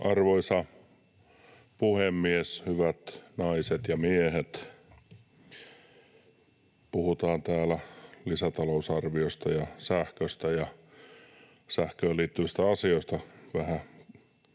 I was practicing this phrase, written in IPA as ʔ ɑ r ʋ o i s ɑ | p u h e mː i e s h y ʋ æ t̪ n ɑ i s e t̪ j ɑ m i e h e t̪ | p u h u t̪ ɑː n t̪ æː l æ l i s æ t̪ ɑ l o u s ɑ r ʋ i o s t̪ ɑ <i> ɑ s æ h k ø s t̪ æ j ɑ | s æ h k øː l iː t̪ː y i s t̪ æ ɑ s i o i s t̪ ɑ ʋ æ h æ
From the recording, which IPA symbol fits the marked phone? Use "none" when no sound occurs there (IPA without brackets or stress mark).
j